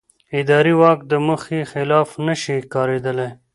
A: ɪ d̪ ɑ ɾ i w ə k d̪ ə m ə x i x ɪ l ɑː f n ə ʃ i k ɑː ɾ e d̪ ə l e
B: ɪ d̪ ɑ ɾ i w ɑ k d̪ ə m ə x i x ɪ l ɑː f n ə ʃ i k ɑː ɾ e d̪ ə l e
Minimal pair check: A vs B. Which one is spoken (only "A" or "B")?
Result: B